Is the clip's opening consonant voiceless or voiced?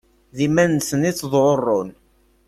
voiced